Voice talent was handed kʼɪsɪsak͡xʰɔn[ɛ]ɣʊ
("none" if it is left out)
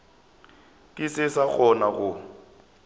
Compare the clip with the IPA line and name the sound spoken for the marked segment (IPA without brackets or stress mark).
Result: a